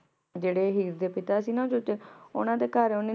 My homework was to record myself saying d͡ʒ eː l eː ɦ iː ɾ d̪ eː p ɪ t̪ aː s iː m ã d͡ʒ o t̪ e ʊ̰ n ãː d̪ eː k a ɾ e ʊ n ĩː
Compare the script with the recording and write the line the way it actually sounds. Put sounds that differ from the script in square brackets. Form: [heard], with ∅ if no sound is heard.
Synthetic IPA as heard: d͡ʒ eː [ɽ] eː ɦ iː ɾ d̪ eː p ɪ t̪ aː s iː [n] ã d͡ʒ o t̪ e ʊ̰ n ãː d̪ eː k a ɾ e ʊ n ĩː